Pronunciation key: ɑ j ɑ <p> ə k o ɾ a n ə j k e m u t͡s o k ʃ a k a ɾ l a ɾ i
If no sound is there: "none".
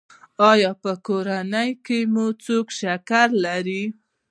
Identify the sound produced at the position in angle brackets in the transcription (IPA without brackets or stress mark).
p